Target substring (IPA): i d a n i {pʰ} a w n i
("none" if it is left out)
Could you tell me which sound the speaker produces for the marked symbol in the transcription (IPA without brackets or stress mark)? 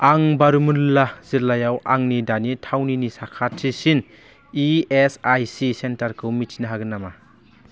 tʰ